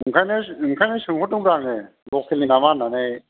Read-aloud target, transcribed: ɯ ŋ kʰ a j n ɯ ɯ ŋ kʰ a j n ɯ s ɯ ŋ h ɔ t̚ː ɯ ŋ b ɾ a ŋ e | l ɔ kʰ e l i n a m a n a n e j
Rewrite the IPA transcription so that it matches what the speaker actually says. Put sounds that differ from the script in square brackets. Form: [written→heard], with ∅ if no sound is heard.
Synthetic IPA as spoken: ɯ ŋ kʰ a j n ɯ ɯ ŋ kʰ a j n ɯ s ɯ ŋ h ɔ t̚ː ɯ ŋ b ɾ a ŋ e | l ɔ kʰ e l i n a m a n a n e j